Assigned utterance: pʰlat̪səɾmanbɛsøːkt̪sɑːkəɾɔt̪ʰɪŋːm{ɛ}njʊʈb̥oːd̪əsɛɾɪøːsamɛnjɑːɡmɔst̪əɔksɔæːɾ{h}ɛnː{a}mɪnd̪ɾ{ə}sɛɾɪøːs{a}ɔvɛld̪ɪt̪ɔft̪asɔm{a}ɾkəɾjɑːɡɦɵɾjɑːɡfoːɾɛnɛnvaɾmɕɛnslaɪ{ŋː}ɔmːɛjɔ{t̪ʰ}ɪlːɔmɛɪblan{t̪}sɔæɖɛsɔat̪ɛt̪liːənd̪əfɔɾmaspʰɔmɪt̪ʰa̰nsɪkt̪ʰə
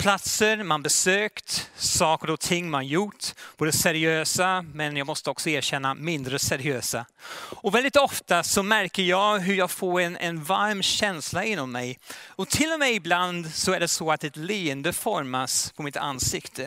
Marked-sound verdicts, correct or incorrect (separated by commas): incorrect, incorrect, correct, correct, correct, incorrect, incorrect, correct, incorrect